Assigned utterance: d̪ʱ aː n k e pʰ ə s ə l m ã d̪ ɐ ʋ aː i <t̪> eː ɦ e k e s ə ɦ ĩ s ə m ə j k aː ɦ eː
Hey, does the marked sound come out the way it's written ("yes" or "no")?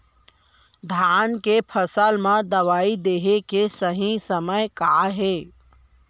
no